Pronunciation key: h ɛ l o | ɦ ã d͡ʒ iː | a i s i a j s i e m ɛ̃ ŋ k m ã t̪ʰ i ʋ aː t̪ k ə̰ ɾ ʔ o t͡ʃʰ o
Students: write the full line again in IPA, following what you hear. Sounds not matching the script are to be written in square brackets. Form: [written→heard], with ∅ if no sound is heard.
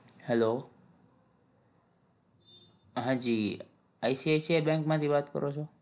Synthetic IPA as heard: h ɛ l o | ɦ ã d͡ʒ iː | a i s i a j s i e [m→b] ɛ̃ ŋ k m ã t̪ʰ i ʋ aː t̪ k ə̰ ɾ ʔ o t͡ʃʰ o